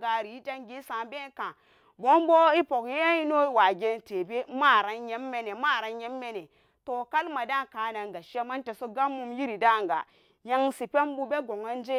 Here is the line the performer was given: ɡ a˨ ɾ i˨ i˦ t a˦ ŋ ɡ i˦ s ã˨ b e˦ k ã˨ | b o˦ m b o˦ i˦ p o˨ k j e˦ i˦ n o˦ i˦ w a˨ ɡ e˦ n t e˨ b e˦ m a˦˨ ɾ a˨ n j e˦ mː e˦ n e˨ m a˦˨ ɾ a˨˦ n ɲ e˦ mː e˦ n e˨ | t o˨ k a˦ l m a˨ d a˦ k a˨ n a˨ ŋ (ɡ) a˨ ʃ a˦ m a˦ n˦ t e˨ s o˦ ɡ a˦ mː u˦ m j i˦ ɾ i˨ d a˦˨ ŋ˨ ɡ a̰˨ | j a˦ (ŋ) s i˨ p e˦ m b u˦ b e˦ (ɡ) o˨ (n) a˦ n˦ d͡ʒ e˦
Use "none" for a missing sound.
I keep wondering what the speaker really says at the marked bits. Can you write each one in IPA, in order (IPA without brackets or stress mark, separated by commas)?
ɡ, ŋ, ɡ, ŋ